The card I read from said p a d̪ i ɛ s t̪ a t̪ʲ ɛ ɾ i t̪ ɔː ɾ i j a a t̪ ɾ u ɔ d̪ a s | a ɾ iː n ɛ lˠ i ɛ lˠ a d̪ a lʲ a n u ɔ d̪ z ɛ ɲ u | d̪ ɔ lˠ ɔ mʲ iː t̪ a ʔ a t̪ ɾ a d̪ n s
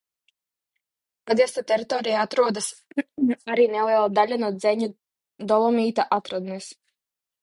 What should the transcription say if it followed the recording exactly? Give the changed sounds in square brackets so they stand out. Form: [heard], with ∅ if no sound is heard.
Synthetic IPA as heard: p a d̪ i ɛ s t̪ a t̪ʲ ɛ ɾ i t̪ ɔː ɾ i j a a t̪ ɾ u ɔ d̪ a s | a ɾ iː n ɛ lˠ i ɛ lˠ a d̪ a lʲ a n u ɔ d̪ z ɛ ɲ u | d̪ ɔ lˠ ɔ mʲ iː t̪ a ʔ a t̪ ɾ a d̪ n s